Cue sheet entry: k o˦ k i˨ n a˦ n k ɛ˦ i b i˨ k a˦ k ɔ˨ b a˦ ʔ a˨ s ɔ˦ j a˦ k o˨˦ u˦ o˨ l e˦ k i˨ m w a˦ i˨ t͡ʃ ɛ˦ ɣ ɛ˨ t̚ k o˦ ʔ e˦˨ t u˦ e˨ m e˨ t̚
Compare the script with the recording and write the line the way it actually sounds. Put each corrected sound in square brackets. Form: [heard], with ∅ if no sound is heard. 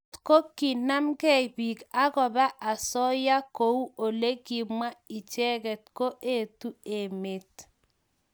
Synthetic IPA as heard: k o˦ k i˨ n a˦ [m] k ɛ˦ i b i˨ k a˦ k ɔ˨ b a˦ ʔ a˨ s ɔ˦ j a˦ k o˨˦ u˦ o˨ l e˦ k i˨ m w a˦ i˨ t͡ʃ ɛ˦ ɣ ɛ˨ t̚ k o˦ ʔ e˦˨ t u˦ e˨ m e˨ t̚